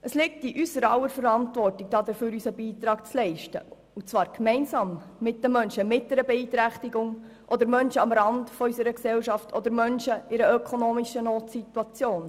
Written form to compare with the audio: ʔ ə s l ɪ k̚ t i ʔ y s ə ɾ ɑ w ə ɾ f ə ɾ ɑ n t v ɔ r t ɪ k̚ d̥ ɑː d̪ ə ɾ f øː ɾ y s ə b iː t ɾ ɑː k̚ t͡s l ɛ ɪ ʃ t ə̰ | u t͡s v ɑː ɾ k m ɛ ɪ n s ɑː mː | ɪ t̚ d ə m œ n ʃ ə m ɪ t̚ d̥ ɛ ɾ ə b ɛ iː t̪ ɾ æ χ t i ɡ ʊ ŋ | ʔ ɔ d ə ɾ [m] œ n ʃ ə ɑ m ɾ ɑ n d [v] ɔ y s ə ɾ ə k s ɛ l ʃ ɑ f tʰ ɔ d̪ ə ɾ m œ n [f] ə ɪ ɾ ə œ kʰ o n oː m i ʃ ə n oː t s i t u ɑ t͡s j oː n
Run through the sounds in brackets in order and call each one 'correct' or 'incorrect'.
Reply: correct, incorrect: f, incorrect: ʃ

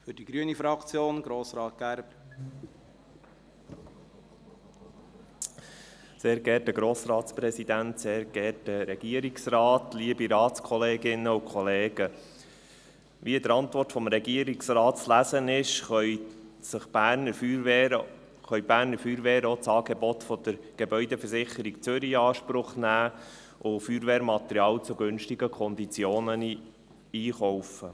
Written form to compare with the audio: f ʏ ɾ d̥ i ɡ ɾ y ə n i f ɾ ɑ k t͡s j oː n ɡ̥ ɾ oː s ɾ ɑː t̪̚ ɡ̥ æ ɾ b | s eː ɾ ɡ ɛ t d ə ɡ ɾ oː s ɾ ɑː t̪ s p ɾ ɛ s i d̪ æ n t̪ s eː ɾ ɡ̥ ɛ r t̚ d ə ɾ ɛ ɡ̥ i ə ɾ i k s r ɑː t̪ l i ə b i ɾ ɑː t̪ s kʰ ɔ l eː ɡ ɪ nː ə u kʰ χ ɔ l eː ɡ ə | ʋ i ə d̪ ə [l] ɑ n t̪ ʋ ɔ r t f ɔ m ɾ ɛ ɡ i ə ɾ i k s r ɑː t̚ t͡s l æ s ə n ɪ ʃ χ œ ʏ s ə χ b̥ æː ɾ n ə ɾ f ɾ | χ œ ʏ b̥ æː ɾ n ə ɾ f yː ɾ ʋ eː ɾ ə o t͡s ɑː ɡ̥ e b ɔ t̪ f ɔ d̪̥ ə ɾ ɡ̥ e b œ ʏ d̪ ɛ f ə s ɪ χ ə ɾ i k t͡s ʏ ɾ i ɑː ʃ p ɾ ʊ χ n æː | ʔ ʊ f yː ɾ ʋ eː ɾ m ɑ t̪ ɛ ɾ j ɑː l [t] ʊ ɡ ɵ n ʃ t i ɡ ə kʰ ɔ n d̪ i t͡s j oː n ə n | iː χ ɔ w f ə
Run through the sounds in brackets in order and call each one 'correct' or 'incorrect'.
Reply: incorrect: ɾ, incorrect: t͡s

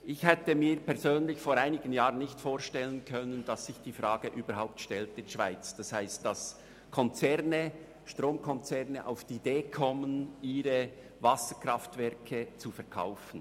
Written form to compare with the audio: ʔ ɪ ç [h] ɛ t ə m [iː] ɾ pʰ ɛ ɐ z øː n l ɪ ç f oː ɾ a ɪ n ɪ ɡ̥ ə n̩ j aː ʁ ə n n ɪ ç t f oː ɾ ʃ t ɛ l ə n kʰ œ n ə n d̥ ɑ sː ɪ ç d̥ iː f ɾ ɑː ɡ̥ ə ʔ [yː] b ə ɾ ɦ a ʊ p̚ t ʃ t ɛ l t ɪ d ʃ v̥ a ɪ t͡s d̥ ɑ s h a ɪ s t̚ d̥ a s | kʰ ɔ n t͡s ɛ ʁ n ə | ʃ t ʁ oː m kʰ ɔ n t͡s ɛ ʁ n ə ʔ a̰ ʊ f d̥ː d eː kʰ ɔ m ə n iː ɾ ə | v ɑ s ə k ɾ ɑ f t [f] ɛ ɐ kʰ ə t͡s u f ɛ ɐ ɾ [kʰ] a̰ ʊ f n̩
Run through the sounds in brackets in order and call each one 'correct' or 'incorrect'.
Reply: correct, correct, correct, incorrect: v, correct

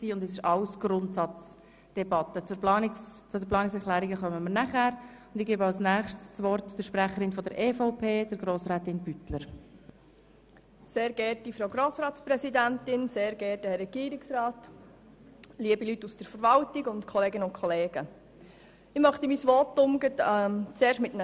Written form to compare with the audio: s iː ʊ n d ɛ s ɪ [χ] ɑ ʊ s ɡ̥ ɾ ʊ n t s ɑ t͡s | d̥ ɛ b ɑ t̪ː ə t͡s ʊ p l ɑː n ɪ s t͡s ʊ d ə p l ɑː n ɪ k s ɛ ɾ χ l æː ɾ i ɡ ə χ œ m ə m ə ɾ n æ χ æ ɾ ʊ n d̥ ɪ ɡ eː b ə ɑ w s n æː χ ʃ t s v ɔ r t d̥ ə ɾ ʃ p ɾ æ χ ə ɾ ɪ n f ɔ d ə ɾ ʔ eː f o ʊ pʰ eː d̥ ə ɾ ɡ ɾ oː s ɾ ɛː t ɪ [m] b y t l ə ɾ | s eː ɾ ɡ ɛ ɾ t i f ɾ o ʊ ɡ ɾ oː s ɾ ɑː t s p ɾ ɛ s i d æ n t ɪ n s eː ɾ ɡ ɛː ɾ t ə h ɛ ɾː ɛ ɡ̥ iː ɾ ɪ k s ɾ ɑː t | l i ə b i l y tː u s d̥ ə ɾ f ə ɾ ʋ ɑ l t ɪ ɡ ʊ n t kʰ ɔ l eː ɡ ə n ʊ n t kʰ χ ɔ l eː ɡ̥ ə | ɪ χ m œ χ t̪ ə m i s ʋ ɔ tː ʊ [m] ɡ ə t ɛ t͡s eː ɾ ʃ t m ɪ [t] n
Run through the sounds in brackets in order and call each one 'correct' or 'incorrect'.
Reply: incorrect: ʃ, incorrect: n, correct, correct

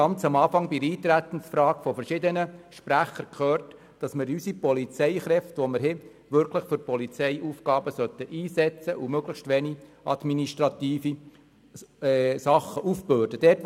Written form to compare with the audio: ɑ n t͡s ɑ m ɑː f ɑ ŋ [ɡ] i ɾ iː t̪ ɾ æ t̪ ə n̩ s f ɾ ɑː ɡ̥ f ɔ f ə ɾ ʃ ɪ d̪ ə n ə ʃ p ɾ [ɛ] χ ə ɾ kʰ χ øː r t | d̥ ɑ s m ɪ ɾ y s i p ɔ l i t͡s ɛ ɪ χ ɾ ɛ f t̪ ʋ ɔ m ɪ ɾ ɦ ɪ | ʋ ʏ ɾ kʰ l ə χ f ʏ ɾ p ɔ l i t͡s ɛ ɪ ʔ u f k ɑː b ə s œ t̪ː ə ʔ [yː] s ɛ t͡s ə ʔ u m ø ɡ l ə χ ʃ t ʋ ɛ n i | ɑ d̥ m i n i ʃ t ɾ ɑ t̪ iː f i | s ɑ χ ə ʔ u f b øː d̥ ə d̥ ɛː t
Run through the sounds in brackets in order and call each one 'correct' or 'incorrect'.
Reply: incorrect: b, incorrect: æ, incorrect: iː

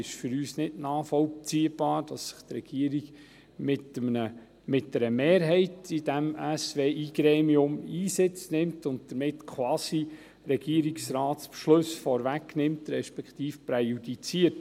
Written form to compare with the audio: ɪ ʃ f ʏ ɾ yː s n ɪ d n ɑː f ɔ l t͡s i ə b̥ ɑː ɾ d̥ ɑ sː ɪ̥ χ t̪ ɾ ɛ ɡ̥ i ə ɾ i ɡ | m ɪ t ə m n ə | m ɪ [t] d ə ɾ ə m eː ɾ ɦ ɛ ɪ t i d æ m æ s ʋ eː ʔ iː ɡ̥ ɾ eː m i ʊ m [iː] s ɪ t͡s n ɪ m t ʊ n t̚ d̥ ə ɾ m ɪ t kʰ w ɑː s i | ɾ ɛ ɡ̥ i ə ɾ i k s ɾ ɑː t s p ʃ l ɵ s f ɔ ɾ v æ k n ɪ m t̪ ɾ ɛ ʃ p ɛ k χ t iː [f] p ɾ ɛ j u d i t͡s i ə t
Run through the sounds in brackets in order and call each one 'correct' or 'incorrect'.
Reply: correct, correct, correct

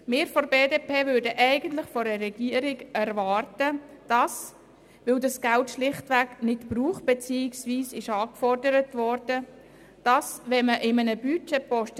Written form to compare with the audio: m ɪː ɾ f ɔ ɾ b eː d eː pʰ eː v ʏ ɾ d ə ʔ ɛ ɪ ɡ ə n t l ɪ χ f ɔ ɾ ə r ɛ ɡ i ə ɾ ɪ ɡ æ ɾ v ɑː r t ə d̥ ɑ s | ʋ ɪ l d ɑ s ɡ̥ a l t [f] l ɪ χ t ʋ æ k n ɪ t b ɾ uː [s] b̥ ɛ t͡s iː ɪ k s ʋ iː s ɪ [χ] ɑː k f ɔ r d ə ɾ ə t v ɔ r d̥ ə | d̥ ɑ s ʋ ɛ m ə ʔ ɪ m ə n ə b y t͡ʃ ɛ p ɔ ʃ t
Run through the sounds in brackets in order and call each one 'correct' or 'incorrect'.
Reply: incorrect: ʃ, incorrect: χ, incorrect: ʃ

